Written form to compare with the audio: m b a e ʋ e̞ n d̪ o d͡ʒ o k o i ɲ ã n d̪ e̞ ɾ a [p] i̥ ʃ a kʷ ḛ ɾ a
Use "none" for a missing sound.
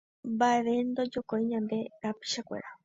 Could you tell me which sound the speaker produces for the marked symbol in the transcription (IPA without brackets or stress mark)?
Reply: p